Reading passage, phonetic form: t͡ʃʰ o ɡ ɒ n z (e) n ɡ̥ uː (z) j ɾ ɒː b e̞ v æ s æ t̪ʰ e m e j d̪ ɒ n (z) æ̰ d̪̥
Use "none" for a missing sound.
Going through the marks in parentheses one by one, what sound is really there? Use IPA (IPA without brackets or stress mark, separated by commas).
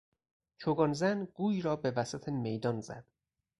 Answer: æ, none, z